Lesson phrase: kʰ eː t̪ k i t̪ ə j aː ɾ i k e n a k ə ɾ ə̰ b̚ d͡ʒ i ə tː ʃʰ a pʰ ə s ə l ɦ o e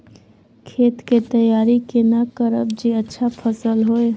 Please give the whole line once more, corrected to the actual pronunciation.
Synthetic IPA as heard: kʰ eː t̪ k e t̪ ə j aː ɾ i k e n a k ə ɾ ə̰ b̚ d͡ʒ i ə tː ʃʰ a pʰ ə s ə l ɦ o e

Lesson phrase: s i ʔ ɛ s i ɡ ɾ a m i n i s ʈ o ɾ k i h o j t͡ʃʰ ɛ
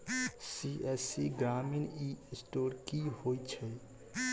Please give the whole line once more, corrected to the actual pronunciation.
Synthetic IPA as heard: s i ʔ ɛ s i ɡ ɾ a m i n i s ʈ o ɾ k i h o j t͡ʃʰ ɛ

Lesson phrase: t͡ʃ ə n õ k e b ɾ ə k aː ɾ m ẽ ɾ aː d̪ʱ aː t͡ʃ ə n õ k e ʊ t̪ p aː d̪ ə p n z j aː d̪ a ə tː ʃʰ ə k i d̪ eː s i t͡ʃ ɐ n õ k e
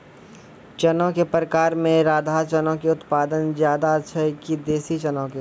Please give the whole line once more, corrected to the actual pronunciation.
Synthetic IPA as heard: t͡ʃ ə n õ k e p ɾ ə k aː ɾ m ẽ ɾ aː d̪ʱ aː t͡ʃ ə n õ k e ʊ t̪ p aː d̪ ə n z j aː d̪ a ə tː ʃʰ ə k i d̪ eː s i t͡ʃ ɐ n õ k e

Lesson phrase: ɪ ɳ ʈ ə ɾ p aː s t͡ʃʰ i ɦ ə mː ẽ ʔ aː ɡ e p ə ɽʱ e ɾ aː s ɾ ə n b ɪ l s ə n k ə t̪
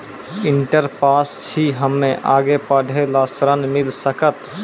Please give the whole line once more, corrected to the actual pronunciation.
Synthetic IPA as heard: ɪ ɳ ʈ ə ɾ p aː s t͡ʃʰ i ɦ ə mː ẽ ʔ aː ɡ e p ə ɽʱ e l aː s ɾ ə n m ɪ l s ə k ə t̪

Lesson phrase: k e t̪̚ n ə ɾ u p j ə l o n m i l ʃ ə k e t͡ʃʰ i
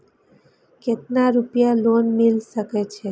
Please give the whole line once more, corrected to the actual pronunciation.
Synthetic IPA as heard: k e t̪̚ n a ɾ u p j a l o n m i l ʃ ə k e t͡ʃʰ e

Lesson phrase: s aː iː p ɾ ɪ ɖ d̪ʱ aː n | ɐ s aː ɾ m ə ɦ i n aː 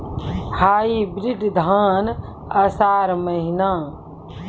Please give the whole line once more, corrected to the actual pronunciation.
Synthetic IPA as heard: h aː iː b ɾ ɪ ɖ d̪ʱ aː n | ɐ s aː ɾ m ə ɦ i n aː

